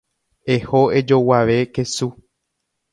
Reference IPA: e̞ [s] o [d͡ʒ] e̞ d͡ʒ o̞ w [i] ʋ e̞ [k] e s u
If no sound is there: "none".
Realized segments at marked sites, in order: h, none, a, k

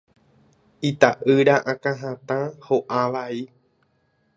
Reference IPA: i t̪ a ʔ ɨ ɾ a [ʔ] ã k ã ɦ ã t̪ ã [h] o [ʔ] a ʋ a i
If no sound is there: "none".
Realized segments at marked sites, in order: ʔ, h, ʔ

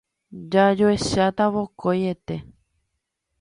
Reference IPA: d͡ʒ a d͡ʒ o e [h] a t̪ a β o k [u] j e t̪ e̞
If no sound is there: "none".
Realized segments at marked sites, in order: ʃ, o

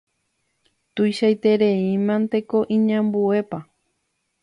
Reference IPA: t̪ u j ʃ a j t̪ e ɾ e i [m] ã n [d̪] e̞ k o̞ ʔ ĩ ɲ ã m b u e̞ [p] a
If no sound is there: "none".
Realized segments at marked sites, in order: m, t̪, p

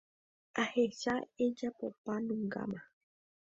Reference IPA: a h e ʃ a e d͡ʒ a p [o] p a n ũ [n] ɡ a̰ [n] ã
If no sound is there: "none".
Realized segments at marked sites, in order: o, ŋ, m

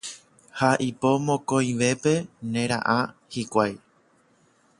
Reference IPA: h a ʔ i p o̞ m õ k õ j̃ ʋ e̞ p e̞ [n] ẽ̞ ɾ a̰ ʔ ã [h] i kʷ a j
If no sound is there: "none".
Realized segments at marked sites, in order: n, h

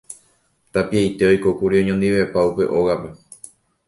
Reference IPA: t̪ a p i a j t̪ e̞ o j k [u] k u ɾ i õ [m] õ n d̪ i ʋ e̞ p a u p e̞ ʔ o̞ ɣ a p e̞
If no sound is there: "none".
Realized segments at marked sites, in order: o, ɲ

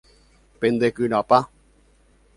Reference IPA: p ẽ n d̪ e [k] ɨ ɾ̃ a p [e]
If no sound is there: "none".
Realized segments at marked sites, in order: k, a

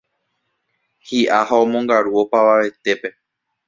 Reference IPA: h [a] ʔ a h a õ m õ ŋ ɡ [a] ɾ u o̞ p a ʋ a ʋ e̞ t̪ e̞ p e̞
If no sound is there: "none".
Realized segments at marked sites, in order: i, a

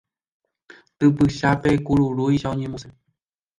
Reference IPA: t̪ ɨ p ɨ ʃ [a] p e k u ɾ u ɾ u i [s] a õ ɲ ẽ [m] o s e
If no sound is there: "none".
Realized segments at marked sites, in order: a, ʃ, m

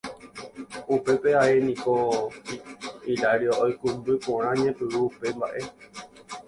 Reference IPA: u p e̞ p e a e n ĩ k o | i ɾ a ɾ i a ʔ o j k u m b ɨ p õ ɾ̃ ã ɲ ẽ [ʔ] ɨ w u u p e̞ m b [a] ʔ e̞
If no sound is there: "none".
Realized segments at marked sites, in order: p, a

